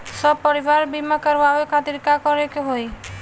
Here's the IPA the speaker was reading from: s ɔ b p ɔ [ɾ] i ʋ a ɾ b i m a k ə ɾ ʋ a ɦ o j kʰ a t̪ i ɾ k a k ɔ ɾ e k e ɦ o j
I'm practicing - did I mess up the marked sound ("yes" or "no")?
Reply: no